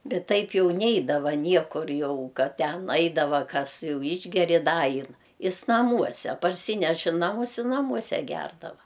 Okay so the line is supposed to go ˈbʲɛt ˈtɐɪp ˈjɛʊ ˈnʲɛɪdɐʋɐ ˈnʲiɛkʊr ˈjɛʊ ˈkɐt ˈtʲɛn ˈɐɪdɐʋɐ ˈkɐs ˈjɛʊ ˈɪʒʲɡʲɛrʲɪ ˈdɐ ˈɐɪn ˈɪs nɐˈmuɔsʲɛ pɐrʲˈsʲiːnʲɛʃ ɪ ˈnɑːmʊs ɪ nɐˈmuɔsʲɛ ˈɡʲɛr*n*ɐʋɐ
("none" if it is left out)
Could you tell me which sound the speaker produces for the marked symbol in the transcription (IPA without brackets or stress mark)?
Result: d